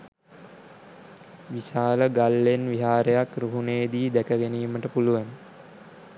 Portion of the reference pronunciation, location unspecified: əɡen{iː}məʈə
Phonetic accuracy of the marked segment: correct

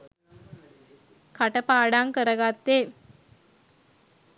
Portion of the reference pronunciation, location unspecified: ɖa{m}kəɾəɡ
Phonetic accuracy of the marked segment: incorrect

